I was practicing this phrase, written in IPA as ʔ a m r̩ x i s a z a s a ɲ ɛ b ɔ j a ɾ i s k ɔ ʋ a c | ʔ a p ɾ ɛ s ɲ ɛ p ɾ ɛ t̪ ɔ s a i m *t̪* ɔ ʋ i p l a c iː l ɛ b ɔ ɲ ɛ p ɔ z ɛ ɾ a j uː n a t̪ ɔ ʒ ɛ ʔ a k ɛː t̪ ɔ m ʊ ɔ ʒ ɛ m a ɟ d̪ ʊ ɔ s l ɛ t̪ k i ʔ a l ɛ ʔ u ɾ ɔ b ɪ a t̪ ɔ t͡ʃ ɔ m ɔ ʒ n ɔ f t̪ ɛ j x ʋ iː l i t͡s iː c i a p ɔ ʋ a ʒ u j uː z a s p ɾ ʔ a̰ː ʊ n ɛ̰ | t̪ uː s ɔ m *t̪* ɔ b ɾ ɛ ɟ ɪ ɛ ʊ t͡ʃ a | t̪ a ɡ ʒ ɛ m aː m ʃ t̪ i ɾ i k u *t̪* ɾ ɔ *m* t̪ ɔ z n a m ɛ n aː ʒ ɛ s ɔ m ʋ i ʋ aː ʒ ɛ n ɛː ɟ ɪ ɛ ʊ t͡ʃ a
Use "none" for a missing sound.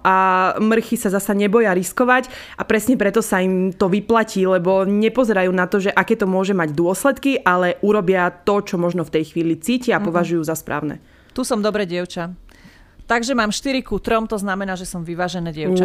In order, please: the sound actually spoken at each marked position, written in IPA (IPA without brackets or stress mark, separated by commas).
t̪, d̪, t̪, m